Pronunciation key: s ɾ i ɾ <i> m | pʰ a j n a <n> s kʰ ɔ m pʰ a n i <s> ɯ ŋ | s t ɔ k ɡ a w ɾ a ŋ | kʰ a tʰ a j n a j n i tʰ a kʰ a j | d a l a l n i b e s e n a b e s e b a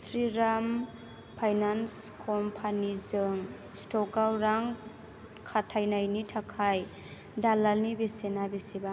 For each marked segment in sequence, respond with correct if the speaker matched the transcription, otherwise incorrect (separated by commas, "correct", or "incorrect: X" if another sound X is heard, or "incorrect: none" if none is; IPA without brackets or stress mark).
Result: incorrect: a, correct, incorrect: z